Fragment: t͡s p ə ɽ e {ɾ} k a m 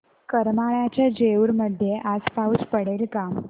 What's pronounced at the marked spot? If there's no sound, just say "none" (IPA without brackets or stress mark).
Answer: l